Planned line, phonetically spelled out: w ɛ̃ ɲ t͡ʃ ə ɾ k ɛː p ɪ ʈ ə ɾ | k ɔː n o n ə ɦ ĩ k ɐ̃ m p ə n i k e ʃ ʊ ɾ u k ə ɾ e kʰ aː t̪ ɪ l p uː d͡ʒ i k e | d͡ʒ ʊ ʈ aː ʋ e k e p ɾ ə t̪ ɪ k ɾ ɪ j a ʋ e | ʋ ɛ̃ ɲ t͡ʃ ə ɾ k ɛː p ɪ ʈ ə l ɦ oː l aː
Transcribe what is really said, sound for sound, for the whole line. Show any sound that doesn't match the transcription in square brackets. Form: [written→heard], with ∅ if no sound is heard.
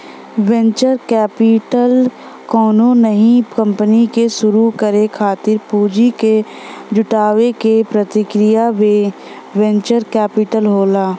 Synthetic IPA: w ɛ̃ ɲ t͡ʃ ə ɾ k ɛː p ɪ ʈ ə [ɾ→l] | k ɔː n o n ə ɦ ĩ k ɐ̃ m p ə n i k e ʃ ʊ ɾ u k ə ɾ e kʰ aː t̪ ɪ [l→ɾ] p uː d͡ʒ i k e | d͡ʒ ʊ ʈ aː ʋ e k e p ɾ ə t̪ ɪ k ɾ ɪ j a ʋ e | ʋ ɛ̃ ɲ t͡ʃ ə ɾ k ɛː p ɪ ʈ ə l ɦ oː l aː

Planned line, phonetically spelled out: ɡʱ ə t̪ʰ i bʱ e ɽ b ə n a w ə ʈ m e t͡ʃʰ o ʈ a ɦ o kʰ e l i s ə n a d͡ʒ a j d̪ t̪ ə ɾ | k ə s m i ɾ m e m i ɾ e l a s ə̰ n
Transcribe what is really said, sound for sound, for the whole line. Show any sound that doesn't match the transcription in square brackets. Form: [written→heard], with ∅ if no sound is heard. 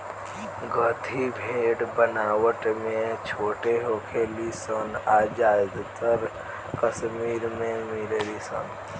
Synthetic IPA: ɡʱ ə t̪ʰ i bʱ e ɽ b ə n a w ə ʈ m e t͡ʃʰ o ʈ [a→e] ɦ o kʰ e l i s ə n a d͡ʒ a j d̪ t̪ ə ɾ | k ə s m i ɾ m e m i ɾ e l [a→i] s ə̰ n

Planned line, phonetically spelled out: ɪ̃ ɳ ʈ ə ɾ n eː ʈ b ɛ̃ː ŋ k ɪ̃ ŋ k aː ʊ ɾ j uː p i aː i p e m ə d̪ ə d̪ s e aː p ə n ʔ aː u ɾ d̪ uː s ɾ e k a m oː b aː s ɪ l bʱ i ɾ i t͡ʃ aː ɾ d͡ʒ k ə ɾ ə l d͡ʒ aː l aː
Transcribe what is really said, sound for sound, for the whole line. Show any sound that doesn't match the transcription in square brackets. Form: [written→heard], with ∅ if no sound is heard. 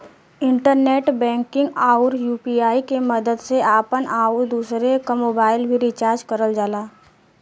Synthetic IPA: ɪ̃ ɳ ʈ ə ɾ n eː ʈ b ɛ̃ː ŋ k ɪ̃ ŋ [k→ɡ] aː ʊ ɾ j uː p i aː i [p→k] e m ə d̪ ə d̪ s e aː p ə n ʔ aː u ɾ d̪ uː s ɾ e k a m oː b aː [s→∅] ɪ l bʱ i ɾ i t͡ʃ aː ɾ d͡ʒ k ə ɾ ə l d͡ʒ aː l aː

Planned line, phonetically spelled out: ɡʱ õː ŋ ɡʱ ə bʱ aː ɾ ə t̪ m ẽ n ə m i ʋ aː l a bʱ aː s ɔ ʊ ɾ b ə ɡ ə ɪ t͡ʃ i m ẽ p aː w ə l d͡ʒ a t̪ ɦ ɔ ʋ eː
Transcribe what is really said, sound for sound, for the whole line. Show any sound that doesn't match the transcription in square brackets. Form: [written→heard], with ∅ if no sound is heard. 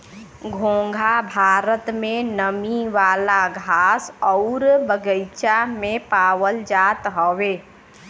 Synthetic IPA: ɡʱ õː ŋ ɡʱ [ə→a] bʱ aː ɾ ə t̪ m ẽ n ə m i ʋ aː l a [bʱ→ɡʱ] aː s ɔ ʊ ɾ b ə ɡ ə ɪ t͡ʃ [i→a] m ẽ p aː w ə l d͡ʒ a t̪ ɦ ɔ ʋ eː

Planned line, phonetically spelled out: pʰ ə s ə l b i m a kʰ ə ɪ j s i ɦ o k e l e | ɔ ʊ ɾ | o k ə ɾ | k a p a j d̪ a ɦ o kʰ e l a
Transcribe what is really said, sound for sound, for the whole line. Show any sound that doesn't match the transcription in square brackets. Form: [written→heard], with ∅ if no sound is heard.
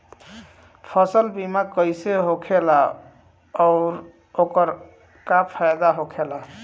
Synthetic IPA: pʰ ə s ə l b i m a [kʰ→k] ə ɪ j s [i→e] ɦ o [k→kʰ] e l [e→a] | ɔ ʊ ɾ | o k ə ɾ | k a [p→pʰ] a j d̪ a ɦ o kʰ e l a

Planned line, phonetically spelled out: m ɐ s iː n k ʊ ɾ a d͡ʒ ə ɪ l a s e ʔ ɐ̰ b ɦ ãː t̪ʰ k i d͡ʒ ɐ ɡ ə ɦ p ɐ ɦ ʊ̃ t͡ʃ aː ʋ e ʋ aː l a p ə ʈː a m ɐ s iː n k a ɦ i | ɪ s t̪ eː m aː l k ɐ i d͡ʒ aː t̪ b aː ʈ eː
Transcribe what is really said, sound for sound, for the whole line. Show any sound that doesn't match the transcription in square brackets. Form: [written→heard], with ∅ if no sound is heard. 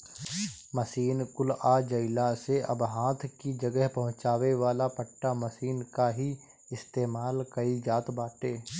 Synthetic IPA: m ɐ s iː n k ʊ [ɾ→l] a d͡ʒ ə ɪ l a s e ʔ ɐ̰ b ɦ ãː t̪ʰ k i d͡ʒ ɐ ɡ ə ɦ p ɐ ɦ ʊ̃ t͡ʃ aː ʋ e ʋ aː l a p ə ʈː a m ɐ s iː n k a ɦ i | ɪ s t̪ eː m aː l k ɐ i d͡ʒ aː t̪ b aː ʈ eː

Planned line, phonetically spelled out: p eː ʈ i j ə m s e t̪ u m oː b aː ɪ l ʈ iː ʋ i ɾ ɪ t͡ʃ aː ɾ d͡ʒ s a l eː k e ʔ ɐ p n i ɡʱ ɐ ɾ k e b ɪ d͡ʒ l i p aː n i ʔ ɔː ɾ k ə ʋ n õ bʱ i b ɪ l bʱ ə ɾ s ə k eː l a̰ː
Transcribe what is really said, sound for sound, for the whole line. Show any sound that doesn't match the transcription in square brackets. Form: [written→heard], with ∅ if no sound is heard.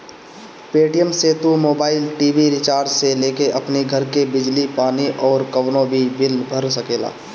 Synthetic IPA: p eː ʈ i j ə m s e t̪ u m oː b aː ɪ l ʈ iː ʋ i ɾ ɪ t͡ʃ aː ɾ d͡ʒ s [a→e] l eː k e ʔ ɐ p n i ɡʱ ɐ ɾ k e b ɪ d͡ʒ l i p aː n i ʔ ɔː ɾ k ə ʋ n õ bʱ i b ɪ l bʱ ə ɾ s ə k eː l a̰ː

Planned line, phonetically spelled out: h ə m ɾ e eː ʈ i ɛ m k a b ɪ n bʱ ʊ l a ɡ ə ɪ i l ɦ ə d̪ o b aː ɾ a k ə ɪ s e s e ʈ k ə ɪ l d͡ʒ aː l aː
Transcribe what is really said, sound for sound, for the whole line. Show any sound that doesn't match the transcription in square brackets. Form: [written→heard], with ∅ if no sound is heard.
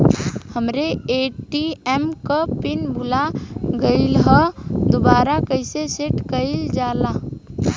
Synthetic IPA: h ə m ɾ e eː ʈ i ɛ m k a [b→p] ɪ n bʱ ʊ l a ɡ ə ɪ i l ɦ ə d̪ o b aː ɾ a k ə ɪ s e s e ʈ k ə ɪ l d͡ʒ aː l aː

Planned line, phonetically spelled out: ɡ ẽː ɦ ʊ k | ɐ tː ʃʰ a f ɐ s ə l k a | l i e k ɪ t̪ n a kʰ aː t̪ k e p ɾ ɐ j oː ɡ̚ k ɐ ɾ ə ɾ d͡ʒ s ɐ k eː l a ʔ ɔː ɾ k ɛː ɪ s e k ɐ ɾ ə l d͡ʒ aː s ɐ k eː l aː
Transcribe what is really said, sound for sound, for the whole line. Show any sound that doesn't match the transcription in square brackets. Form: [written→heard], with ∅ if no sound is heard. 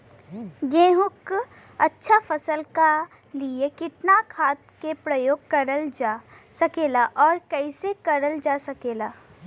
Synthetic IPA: ɡ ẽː ɦ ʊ k | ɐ tː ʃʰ a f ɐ s ə l k a | l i e k ɪ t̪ n a kʰ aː t̪ k e p ɾ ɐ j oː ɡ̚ k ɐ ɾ ə [ɾ→l] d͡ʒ s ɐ k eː l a ʔ ɔː ɾ k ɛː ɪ s e k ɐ ɾ ə l d͡ʒ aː s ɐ k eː l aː

